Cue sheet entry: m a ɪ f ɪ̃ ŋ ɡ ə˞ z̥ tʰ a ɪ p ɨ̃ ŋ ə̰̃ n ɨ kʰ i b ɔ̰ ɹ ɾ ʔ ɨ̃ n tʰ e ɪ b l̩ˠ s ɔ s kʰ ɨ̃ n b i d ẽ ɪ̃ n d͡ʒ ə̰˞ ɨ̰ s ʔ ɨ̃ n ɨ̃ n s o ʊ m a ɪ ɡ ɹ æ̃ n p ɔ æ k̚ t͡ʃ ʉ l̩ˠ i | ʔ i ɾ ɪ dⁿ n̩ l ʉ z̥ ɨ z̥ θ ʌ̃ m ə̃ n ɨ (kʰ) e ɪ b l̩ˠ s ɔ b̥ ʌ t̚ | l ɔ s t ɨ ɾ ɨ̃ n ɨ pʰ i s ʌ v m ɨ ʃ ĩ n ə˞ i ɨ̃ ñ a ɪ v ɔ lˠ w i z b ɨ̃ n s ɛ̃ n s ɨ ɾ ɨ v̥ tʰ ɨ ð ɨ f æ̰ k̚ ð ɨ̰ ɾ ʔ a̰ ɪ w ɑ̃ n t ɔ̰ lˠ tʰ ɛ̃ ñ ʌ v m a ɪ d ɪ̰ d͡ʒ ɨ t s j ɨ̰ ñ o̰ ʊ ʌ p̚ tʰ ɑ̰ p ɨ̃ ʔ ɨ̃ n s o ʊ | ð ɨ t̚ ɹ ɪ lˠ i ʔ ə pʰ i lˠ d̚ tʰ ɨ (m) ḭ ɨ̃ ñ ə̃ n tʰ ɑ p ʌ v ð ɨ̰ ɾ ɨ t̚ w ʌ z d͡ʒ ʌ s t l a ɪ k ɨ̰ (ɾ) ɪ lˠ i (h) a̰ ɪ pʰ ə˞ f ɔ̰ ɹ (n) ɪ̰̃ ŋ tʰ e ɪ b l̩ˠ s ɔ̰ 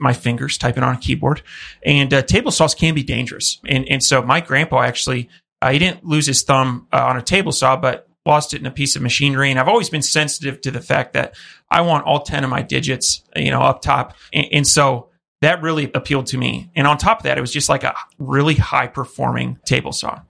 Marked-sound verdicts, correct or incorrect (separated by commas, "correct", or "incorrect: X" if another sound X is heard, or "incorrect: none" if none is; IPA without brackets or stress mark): incorrect: tʰ, correct, incorrect: ɹ, correct, incorrect: m